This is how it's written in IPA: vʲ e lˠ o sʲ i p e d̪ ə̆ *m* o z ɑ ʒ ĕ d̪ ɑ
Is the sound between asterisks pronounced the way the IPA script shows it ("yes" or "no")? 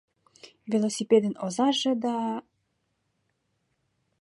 no